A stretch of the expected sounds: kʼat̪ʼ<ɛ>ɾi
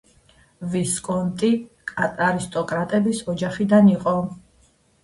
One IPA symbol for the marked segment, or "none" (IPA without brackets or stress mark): a